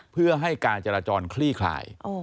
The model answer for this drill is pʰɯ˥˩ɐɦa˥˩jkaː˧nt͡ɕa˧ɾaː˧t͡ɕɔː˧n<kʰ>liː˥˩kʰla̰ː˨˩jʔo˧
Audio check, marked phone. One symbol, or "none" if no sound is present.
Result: kʰ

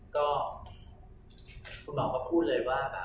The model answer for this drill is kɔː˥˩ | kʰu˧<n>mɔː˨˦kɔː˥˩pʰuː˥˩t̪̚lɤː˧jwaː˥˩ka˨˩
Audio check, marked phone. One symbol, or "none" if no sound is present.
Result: n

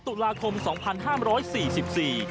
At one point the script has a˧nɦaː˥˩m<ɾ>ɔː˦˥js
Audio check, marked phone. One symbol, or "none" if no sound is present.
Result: ɾ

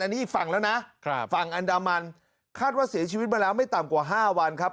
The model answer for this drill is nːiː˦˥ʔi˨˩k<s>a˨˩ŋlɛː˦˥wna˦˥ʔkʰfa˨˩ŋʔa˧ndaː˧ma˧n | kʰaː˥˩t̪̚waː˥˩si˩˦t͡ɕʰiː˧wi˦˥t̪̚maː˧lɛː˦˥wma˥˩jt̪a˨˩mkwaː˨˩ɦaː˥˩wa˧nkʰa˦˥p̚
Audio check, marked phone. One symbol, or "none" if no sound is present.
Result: f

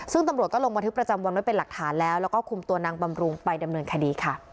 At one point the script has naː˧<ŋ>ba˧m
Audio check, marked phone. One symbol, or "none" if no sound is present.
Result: ŋ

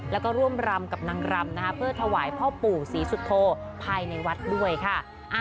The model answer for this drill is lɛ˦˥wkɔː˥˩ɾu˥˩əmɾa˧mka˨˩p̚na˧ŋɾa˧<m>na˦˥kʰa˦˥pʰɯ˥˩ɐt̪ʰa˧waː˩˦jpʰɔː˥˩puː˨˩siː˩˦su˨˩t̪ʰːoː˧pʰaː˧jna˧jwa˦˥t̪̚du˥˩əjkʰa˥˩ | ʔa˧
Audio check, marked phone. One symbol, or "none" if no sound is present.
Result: m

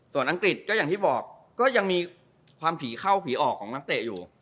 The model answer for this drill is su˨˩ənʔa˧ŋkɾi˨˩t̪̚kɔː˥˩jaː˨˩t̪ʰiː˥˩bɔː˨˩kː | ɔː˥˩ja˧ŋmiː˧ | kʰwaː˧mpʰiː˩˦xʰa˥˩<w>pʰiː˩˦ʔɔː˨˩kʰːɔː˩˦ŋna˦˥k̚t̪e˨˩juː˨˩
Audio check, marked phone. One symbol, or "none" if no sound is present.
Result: w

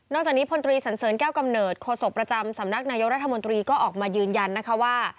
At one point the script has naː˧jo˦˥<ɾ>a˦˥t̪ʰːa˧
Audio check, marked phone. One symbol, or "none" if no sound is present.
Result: ɾ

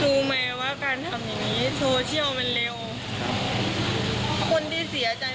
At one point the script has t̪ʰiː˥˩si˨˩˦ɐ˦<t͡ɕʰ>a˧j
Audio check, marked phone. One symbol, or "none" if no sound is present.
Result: t͡ɕ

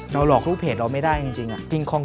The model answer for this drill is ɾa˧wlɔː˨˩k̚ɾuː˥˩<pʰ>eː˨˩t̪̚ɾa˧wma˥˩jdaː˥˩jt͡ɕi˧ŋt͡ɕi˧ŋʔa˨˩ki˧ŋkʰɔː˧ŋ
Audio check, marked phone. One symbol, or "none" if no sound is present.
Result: pʰ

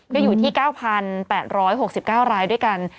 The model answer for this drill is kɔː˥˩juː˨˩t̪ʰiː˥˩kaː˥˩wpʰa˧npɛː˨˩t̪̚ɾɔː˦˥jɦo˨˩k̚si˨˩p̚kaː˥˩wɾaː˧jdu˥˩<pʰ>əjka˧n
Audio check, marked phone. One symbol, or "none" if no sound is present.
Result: none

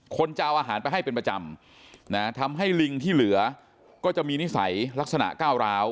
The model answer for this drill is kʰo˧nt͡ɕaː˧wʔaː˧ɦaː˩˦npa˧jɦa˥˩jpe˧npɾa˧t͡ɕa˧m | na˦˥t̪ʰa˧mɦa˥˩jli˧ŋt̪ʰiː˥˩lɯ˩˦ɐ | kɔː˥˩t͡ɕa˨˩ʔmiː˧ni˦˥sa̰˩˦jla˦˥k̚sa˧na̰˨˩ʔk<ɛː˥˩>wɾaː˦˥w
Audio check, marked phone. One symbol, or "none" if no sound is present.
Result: aː˥˩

